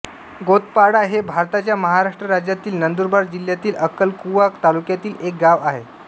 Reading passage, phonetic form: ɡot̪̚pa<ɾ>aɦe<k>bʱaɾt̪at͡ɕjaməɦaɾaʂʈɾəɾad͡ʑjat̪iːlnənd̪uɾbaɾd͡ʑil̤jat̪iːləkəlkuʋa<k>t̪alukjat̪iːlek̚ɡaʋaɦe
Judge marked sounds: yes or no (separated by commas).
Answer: no, no, yes